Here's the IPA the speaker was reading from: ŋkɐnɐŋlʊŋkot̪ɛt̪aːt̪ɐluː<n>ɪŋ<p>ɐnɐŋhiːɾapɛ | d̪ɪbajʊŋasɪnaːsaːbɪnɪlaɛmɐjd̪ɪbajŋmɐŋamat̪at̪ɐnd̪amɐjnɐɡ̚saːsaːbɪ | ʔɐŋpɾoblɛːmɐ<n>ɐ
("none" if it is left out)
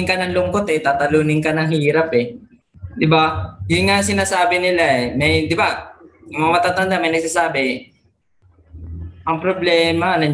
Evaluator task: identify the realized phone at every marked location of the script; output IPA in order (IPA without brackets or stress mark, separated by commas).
n, k, n